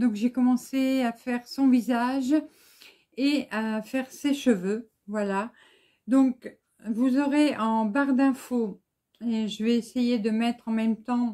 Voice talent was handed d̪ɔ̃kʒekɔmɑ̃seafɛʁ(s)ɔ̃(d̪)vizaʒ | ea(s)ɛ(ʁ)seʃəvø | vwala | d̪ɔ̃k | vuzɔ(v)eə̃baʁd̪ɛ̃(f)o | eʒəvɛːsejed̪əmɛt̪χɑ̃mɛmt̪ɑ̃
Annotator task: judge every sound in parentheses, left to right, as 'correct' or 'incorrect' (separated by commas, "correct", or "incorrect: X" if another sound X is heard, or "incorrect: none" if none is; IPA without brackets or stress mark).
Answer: correct, incorrect: none, incorrect: f, correct, incorrect: ʁ, correct